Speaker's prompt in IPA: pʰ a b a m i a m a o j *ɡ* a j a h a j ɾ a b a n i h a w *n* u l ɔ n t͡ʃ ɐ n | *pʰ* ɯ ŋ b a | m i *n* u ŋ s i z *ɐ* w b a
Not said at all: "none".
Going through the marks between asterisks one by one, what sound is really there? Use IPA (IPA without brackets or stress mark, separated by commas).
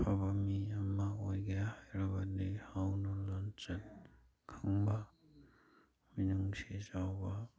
ɡ, n, kʰ, n, a